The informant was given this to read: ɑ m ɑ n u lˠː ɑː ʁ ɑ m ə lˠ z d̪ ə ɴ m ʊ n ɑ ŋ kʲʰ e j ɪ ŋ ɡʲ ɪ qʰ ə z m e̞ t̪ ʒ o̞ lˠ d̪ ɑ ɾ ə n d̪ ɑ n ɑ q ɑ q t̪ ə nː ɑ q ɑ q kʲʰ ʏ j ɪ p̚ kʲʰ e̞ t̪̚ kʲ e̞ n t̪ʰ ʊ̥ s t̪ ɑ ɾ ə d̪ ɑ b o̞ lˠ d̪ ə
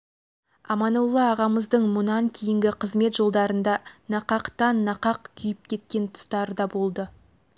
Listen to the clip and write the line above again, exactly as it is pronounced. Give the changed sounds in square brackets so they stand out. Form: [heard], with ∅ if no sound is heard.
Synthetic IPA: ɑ m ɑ n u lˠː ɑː ʁ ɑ m ə [∅] z d̪ ə ɴ m ʊ n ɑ ŋ kʲʰ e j ɪ ŋ ɡʲ ɪ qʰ ə z m e̞ t̪ ʒ o̞ lˠ d̪ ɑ ɾ ə n d̪ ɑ n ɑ q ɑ q t̪ [ɑ] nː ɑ q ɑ q kʲʰ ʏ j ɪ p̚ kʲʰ e̞ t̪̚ kʲ e̞ n t̪ʰ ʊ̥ s t̪ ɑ ɾ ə d̪ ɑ b o̞ lˠ d̪ ə